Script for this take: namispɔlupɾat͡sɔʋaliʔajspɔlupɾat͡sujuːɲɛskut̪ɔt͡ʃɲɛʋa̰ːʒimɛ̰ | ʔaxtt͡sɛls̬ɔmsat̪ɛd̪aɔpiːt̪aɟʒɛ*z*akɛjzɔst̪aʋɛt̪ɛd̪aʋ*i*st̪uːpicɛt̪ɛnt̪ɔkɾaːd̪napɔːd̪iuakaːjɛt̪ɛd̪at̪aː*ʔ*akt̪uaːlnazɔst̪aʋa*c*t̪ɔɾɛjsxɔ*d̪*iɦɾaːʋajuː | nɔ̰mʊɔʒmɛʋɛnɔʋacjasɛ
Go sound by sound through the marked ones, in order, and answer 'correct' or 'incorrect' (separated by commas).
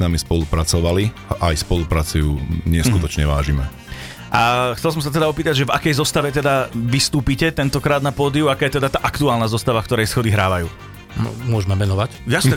incorrect, correct, correct, incorrect, correct